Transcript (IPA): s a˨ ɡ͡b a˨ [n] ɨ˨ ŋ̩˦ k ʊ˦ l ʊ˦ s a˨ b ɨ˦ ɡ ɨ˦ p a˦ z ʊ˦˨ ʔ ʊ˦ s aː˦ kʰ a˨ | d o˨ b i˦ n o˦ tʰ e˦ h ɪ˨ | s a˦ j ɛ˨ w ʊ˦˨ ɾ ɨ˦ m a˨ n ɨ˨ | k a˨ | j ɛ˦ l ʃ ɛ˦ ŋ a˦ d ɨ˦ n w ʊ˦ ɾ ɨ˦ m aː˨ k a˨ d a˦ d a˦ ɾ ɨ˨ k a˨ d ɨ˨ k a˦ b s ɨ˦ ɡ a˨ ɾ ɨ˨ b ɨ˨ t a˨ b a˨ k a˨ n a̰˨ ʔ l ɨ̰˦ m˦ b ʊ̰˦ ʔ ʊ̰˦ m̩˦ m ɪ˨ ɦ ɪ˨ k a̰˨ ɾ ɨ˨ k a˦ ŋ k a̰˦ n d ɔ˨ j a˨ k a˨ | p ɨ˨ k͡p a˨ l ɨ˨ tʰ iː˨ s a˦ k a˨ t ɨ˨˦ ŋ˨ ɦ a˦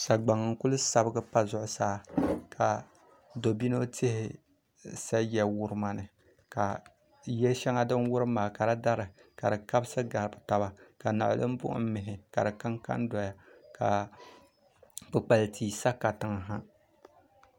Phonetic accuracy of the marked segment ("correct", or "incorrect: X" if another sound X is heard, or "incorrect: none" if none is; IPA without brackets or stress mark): incorrect: ŋ